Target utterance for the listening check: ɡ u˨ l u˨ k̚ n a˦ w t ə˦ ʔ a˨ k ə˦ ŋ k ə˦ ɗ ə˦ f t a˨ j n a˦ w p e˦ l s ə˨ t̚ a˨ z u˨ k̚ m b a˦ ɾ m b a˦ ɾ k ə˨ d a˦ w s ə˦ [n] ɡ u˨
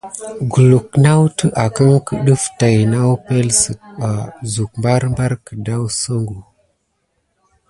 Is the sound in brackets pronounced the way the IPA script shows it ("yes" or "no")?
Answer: no